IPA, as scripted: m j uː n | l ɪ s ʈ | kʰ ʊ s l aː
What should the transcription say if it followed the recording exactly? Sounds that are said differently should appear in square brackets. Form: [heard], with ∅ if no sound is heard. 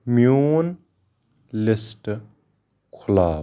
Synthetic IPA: m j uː n | l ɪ s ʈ | kʰ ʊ [∅] l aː